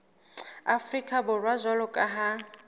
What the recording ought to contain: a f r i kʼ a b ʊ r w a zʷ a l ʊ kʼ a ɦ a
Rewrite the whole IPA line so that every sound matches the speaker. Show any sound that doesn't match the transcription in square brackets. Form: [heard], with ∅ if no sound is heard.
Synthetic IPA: a f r i kʼ a b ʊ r w a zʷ a l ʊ kʼ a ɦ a